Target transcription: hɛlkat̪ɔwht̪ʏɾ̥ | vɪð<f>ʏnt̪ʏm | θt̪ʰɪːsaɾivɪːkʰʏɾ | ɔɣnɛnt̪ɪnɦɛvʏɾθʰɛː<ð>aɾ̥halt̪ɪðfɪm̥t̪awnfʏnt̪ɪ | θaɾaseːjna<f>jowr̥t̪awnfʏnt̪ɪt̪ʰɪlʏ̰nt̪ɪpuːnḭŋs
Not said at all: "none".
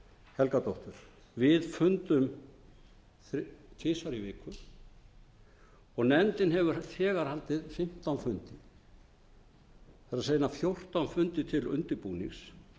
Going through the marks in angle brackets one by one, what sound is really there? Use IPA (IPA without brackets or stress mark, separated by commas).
f, ɣ, f